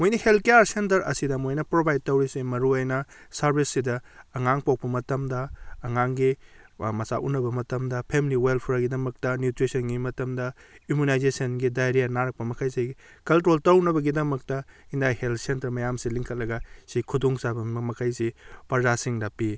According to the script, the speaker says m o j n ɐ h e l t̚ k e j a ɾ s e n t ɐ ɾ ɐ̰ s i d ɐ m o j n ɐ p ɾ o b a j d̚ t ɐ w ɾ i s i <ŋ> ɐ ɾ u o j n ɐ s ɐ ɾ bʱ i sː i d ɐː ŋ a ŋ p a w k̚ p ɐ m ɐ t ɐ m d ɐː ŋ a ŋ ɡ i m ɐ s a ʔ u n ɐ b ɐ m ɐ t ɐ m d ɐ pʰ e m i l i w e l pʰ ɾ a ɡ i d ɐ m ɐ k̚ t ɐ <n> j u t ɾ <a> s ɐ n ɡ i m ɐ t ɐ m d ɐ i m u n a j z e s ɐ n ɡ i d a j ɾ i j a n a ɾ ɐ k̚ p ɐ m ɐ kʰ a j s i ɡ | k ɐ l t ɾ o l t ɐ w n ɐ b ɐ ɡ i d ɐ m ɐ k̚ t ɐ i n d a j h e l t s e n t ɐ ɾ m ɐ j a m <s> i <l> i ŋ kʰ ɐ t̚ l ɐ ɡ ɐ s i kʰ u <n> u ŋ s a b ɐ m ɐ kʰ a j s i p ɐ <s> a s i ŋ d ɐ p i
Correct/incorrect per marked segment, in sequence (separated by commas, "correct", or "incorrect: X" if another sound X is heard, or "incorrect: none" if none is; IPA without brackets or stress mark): incorrect: m, correct, incorrect: i, correct, correct, incorrect: d, incorrect: z